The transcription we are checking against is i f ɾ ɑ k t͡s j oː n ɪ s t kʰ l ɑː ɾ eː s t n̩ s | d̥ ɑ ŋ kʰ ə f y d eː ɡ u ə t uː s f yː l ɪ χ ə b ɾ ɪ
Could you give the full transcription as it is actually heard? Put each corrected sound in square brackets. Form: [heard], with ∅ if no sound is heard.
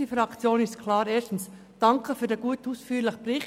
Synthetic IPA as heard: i f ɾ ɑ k t͡s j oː n ɪ s t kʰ l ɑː ɾ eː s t n̩ s | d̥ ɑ ŋ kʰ ə f [yː] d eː ɡ u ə t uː s f yː l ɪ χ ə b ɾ ɪ